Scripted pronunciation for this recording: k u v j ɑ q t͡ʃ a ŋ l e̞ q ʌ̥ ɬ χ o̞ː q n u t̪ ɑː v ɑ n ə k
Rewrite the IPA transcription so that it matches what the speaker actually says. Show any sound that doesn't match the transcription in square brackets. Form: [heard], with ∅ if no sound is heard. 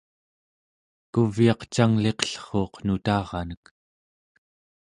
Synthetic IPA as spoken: k u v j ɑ q t͡ʃ a ŋ l e̞ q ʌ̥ ɬ χ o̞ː q n u t̪ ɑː [ʁ] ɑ n ə k